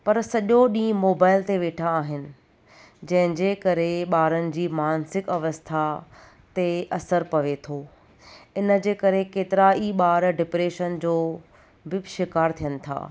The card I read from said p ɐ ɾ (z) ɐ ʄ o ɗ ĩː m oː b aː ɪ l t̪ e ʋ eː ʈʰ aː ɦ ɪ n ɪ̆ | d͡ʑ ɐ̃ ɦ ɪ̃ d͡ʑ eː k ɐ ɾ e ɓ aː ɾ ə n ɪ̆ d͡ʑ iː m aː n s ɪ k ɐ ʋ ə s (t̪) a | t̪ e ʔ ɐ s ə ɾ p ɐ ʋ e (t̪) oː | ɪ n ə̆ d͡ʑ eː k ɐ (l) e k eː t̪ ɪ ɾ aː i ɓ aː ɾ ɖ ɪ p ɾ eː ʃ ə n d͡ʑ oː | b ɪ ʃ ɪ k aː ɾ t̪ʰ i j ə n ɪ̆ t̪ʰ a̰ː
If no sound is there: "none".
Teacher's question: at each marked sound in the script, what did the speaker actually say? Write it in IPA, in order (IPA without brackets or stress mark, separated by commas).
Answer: s, t̪ʰ, t̪ʰ, ɾ